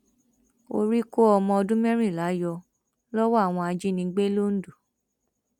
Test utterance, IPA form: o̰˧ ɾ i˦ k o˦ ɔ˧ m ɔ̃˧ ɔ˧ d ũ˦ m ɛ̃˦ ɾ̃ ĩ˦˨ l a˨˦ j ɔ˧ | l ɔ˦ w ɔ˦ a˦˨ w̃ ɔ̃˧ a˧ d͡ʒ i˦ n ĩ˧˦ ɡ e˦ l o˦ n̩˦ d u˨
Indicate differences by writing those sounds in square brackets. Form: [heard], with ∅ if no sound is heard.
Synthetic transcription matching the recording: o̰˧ ɾ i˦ k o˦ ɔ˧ m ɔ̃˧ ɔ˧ d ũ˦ m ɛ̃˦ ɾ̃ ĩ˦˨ l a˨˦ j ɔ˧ | l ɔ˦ w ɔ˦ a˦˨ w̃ ɔ̃˧ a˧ d͡ʒ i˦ n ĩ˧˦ [ɡ͡b] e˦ l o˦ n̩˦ d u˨